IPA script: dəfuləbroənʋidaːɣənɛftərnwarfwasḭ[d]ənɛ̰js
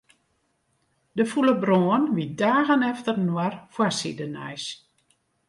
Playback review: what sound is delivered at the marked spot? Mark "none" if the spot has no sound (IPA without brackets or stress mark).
d